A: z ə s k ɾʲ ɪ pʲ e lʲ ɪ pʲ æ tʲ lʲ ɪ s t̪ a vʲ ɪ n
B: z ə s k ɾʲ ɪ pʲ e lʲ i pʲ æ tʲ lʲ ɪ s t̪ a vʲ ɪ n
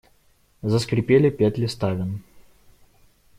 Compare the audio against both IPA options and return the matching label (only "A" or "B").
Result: A